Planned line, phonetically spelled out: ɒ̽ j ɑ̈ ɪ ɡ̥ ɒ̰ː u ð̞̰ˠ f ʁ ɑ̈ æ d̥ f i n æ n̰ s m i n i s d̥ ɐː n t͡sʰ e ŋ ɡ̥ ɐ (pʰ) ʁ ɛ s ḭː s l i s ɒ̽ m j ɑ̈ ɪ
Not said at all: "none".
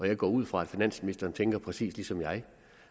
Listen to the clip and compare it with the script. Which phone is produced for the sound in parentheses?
pʰ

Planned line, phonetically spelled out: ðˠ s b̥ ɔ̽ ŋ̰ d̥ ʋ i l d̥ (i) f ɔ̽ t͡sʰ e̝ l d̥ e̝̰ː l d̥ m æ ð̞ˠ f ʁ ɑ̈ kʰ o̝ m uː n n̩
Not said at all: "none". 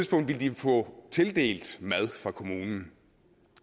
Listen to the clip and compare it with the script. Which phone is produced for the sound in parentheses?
i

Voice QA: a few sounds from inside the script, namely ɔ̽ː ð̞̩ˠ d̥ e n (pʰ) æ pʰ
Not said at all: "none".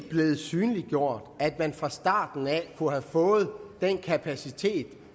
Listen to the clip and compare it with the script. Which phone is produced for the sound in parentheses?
kʰ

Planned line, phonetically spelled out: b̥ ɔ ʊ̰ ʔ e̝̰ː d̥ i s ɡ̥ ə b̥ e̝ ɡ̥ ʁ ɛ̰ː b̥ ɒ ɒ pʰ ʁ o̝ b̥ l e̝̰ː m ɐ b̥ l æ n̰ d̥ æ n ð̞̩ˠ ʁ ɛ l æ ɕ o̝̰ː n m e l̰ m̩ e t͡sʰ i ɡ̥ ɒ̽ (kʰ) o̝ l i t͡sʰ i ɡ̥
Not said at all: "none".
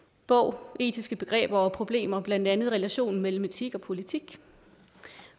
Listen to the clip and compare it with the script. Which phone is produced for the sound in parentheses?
pʰ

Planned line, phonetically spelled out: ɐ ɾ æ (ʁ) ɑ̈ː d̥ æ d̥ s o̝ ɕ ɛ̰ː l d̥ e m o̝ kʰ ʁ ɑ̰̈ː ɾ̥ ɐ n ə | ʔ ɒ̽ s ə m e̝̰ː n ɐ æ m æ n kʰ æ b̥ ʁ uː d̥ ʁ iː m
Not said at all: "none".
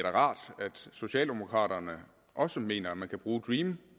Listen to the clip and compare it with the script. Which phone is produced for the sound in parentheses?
ʁ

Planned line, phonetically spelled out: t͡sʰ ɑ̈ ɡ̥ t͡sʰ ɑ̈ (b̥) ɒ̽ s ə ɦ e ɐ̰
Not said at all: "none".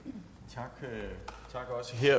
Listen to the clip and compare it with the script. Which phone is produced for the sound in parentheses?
ɡ̥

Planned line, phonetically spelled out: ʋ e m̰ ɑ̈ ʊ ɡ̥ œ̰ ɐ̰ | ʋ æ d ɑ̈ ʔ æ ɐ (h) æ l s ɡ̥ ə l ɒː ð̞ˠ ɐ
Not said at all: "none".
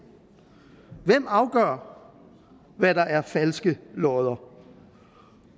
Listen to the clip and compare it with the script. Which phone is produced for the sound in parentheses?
f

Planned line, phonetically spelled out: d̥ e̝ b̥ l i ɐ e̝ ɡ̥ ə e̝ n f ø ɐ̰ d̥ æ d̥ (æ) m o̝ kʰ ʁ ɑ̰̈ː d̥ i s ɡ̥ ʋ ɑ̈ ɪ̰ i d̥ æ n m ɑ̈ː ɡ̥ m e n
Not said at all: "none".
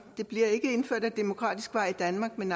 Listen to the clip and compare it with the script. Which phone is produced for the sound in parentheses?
e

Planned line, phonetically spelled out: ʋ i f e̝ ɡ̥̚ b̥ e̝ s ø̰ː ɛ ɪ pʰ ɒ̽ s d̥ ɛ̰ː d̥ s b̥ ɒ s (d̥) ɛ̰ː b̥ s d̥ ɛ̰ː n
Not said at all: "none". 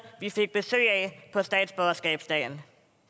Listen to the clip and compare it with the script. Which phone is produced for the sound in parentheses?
ɡ̥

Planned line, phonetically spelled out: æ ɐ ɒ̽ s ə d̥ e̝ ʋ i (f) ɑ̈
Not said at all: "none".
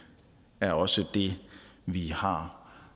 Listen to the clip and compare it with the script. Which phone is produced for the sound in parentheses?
h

